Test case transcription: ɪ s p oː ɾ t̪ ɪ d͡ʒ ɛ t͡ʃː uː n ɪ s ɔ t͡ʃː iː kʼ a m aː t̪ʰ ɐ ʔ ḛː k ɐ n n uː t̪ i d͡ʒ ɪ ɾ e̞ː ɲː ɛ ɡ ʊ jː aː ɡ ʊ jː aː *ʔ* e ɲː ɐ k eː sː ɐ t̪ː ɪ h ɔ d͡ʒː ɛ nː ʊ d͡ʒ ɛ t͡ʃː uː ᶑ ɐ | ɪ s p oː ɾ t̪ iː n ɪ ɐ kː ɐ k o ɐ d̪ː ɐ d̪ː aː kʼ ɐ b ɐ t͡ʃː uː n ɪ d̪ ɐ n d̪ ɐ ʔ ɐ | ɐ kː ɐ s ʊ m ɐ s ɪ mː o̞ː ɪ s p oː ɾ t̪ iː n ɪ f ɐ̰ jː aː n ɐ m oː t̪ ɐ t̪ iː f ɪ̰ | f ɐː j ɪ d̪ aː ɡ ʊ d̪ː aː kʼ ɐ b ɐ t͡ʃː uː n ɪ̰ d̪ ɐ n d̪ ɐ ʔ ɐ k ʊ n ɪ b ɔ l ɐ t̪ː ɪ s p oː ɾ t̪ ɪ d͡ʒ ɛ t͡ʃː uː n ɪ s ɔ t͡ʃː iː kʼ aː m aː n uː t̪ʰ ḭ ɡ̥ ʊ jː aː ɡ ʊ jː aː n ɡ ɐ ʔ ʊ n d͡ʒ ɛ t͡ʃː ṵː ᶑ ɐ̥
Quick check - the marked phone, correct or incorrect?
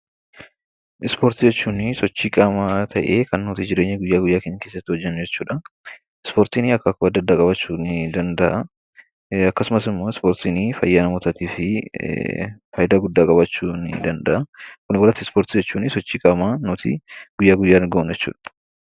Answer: incorrect